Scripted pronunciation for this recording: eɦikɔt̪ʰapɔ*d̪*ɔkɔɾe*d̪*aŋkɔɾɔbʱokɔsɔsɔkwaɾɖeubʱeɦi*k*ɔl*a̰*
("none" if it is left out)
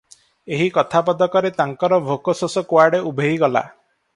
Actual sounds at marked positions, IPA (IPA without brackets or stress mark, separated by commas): d̪, t̪, ɡ, a̰